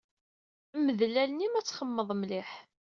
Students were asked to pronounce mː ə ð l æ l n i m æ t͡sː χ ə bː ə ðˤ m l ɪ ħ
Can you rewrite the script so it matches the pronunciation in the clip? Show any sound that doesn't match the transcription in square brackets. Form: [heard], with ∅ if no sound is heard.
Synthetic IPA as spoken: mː ə ð l æ l n i m æ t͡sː χ ə [mː] ə ðˤ m l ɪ ħ